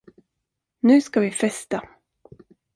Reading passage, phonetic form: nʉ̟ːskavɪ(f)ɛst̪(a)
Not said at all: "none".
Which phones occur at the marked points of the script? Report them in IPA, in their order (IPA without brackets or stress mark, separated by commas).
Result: f, a